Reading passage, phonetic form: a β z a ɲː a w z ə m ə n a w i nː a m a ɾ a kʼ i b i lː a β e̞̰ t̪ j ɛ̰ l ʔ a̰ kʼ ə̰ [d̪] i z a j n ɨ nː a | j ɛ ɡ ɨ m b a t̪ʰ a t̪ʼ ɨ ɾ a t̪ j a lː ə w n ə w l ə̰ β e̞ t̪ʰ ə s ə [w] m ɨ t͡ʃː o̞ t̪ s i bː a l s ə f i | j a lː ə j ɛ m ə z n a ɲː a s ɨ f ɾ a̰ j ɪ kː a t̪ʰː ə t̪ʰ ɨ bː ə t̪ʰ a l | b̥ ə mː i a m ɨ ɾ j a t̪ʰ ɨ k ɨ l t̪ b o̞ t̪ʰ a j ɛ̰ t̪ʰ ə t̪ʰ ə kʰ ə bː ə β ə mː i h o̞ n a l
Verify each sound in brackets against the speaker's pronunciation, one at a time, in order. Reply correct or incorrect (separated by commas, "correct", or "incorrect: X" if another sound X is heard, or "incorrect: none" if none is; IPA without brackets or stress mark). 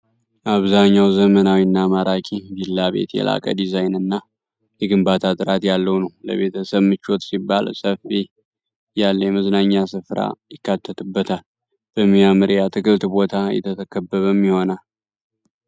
correct, incorrect: β